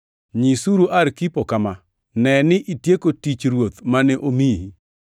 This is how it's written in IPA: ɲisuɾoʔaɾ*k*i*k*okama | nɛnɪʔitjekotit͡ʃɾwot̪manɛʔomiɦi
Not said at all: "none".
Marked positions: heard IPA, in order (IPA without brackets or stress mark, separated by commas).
k, p